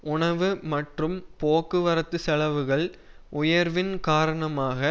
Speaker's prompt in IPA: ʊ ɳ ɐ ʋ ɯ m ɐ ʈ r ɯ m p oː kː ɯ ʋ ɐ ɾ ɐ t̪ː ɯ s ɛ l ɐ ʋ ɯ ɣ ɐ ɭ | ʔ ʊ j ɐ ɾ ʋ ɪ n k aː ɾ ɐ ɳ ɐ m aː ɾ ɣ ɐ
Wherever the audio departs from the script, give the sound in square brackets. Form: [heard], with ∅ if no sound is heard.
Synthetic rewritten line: ʊ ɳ ɐ ʋ ɯ m ɐ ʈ r ɯ m p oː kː ɯ ʋ ɐ ɾ ɐ t̪ː ɯ s ɛ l ɐ ʋ ɯ ɣ ɐ ɭ | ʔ ʊ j ɐ ɾ ʋ ɪ n k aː ɾ ɐ ɳ ɐ m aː [∅] ɣ ɐ